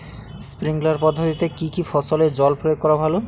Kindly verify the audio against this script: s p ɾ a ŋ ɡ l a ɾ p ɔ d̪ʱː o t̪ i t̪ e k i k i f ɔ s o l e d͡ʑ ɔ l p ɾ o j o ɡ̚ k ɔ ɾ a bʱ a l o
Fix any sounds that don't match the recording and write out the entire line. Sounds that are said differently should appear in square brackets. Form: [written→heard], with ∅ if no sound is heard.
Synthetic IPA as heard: s p ɾ [a→i] ŋ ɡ l a ɾ p ɔ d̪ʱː o t̪ i t̪ e k i k i f ɔ s o l e d͡ʑ ɔ l p ɾ o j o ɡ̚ k ɔ ɾ a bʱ a l o

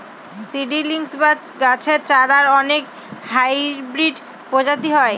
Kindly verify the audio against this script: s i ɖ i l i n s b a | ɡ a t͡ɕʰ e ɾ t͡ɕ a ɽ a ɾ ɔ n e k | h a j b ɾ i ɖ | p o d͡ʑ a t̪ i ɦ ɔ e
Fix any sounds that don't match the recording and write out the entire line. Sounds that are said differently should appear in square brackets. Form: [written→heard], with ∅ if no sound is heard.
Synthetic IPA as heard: s i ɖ i l i [n→ŋ] s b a | ɡ a t͡ɕʰ e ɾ t͡ɕ a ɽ a ɾ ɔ n e k | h a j b ɾ i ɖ | p o d͡ʑ a t̪ i ɦ ɔ e

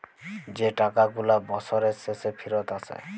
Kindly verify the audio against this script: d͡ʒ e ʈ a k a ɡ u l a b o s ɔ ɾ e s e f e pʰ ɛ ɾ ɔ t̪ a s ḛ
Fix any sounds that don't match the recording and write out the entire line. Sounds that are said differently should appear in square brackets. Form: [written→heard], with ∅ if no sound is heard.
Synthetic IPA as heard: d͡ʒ e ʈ a k a ɡ u l a b [o→ɔ] s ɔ ɾ e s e [f→s] e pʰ [ɛ→i] ɾ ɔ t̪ a s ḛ

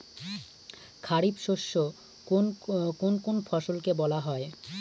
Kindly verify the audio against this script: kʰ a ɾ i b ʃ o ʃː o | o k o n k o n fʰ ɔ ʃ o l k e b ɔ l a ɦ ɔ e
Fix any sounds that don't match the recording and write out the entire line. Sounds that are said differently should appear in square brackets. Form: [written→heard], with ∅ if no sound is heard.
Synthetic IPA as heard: kʰ a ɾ i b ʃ o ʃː o | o k o n k o n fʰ ɔ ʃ o l k e b ɔ l a ɦ ɔ e

